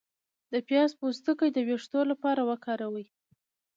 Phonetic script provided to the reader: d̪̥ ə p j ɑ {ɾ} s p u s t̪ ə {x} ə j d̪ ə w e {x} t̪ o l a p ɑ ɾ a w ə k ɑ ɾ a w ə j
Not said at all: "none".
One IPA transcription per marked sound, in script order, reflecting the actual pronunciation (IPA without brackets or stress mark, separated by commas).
none, k, ʂ